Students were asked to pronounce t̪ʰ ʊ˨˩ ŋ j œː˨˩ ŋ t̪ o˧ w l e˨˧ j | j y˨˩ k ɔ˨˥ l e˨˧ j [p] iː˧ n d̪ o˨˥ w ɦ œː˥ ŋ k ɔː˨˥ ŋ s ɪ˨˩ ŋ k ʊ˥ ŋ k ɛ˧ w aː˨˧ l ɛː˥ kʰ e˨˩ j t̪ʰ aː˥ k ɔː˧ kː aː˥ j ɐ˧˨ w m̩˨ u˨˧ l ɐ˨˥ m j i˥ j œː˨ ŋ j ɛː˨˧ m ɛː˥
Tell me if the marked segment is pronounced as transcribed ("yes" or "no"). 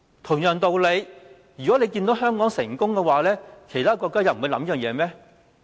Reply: no